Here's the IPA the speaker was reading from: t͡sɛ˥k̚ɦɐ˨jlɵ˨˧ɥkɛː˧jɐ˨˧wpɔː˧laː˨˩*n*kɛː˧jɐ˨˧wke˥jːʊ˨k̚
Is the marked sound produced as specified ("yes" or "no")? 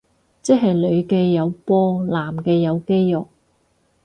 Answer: no